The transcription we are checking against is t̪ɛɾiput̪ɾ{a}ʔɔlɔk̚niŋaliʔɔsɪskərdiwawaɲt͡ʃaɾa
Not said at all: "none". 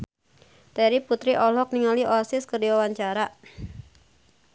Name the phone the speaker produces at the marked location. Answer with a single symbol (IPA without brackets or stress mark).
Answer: i